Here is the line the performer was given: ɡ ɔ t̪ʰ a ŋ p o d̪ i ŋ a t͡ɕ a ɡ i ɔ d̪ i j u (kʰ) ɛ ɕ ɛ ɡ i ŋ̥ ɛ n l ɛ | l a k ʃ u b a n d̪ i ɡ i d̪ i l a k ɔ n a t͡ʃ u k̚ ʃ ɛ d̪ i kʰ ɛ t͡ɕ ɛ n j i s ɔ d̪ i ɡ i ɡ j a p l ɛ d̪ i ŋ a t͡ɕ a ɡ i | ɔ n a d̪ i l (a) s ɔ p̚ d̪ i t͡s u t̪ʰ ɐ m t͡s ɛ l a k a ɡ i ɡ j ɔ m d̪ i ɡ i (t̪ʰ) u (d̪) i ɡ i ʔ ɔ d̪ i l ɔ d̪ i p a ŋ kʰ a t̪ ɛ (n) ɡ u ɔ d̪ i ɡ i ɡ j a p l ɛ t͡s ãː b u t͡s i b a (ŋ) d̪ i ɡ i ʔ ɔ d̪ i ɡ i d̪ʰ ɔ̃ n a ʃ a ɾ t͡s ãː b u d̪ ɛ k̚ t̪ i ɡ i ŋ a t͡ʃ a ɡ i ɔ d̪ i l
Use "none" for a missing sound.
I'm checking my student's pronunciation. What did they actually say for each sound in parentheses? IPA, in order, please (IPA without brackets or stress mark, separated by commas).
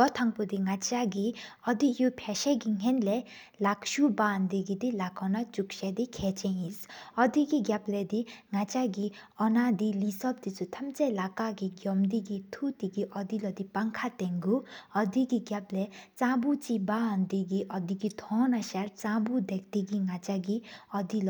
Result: pʰ, i, t̪ʰ, t̪, ŋ, n